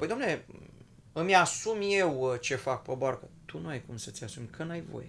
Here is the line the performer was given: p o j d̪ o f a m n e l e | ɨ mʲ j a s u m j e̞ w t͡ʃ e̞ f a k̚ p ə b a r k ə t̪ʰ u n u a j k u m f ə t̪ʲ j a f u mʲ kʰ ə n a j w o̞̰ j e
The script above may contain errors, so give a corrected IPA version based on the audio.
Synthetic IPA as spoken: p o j d̪ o a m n e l e | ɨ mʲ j a s u m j e̞ w t͡ʃ e̞ f a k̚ p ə b a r k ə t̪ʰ u n u a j k u m s ə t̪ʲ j a s u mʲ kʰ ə n a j v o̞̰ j e